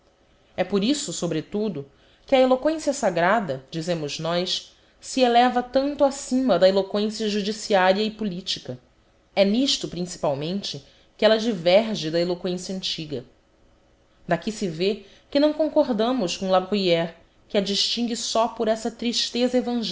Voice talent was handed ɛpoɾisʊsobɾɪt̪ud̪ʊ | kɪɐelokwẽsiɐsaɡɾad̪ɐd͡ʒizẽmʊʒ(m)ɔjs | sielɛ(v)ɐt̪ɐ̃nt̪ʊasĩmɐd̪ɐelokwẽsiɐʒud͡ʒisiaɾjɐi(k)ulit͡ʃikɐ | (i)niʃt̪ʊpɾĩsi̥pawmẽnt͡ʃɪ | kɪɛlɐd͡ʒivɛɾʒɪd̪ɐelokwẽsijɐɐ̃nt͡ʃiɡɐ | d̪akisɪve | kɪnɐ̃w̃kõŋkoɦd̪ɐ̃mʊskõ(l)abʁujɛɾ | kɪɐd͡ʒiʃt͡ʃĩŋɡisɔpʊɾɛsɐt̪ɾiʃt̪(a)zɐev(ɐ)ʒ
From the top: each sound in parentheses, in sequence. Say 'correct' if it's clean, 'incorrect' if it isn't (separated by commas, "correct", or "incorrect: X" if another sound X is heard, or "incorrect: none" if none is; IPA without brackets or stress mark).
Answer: incorrect: n, correct, incorrect: p, incorrect: ɛ, correct, incorrect: e, incorrect: ɐ̃